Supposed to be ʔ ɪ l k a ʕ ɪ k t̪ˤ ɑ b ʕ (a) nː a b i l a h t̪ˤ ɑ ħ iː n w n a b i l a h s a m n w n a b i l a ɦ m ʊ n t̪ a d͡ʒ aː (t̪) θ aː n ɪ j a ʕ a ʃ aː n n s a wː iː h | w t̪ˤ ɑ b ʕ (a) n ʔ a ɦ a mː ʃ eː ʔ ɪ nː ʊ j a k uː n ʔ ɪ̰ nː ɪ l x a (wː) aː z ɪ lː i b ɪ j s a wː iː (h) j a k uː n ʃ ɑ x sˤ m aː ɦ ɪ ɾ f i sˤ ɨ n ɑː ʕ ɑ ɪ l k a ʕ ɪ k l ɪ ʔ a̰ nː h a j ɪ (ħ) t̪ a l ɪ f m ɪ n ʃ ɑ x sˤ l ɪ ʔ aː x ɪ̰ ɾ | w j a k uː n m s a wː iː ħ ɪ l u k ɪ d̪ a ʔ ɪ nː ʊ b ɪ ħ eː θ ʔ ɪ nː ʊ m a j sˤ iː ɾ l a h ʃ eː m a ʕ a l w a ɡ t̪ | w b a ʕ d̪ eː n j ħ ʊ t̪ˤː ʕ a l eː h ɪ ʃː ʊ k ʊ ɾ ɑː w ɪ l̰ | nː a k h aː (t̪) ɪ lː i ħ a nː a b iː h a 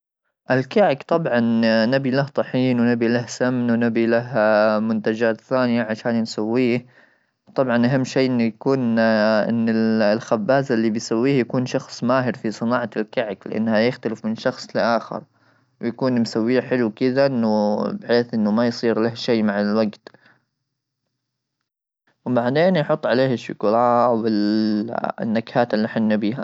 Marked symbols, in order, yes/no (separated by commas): no, yes, no, no, yes, no, yes